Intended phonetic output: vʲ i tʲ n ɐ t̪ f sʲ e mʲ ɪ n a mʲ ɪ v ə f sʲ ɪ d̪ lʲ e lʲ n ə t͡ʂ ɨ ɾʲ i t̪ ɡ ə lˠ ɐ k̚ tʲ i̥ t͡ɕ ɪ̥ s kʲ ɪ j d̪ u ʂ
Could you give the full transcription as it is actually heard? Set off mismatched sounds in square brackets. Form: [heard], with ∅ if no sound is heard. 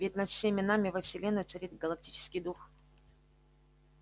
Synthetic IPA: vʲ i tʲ n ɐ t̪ f sʲ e mʲ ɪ n a mʲ ɪ v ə f sʲ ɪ [∅] lʲ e [∅] n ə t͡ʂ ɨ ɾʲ i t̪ ɡ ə lˠ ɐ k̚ tʲ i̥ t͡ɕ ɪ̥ s kʲ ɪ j d̪ u [x]